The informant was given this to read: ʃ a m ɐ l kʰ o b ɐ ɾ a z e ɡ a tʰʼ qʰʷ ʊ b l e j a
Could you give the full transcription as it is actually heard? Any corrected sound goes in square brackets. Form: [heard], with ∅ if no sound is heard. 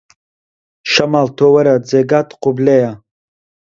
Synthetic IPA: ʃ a m [a] l [tʰ] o [w] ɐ ɾ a [d͡z] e ɡ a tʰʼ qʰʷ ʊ b l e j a